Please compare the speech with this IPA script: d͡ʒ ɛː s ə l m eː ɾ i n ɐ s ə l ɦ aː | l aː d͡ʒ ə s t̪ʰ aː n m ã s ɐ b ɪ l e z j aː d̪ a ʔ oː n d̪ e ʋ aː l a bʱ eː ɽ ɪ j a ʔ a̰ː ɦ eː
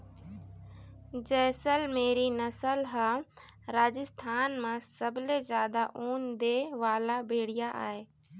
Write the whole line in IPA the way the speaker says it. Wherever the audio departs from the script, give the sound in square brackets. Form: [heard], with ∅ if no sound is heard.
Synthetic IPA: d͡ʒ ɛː s ə l m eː ɾ i n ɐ s ə l ɦ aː | [ɾ] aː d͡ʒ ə s t̪ʰ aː n m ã s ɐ b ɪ l e z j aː d̪ a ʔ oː n d̪ e ʋ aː l a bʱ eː ɽ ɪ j a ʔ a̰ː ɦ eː